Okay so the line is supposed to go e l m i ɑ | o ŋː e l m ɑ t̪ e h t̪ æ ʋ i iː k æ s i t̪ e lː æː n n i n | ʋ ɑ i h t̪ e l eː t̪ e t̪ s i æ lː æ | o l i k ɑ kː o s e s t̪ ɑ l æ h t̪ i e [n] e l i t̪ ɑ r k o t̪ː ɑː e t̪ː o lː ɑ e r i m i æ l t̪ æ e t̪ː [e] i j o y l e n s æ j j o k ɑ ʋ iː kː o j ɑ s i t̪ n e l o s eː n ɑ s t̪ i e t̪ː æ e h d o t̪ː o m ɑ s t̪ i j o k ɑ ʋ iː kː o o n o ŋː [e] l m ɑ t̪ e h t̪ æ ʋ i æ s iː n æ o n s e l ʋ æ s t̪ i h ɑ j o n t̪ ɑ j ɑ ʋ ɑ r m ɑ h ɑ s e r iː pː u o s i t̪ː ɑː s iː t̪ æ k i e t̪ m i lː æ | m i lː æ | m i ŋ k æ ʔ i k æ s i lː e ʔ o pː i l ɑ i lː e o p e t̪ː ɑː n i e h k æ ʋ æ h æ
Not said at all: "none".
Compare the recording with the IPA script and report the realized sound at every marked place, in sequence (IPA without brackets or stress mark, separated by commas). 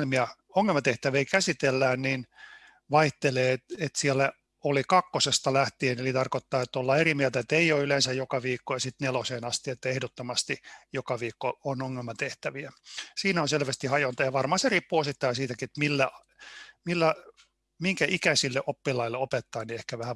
n, e, e